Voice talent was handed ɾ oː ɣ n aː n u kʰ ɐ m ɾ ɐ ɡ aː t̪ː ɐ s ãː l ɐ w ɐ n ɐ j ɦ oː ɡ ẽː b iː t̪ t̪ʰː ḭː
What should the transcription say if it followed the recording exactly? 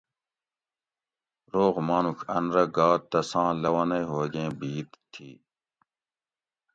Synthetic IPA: ɾ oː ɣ m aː n u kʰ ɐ n ɾ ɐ ɡ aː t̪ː ɐ s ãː l ɐ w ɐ n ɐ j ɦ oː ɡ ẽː b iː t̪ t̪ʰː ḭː